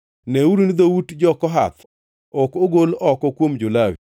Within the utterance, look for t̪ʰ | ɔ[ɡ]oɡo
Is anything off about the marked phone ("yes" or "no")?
yes